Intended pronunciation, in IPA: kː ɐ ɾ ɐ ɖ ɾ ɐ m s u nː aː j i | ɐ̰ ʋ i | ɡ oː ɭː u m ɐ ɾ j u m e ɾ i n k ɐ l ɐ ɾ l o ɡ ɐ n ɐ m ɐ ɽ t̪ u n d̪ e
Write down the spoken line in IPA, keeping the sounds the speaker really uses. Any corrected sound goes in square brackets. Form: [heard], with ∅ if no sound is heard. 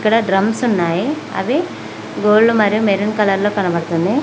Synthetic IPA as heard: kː ɐ [ɽ] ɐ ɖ ɾ ɐ m s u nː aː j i | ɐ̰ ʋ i | ɡ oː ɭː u m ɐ ɾ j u m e ɾ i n k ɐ l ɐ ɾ l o [k] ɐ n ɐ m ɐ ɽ t̪ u n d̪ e